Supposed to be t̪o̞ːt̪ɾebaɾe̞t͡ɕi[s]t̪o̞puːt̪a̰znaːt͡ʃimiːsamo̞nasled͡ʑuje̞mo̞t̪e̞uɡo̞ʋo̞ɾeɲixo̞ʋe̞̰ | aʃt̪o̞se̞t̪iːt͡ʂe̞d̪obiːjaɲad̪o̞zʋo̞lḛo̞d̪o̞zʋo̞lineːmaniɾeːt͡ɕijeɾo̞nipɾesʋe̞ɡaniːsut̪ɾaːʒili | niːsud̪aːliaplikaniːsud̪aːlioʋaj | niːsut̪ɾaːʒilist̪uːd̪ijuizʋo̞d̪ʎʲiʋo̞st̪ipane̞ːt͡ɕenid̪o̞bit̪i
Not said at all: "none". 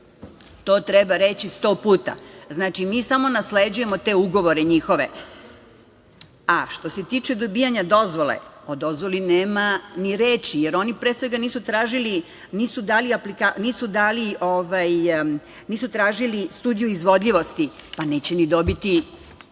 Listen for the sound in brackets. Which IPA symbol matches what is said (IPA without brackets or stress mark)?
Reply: s